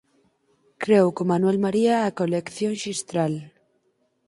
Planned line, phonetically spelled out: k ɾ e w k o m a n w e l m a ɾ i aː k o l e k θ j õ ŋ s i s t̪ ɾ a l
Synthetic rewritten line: k ɾ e w k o m a n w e l m a ɾ i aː k o l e k θ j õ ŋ ʃ i s t̪ ɾ a l